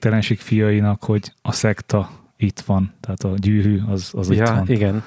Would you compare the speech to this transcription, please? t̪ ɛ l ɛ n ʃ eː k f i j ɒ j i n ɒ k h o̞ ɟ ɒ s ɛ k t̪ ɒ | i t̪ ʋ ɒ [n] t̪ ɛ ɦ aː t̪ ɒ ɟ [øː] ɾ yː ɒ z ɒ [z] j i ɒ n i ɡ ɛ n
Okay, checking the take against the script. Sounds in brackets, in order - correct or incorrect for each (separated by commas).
correct, incorrect, correct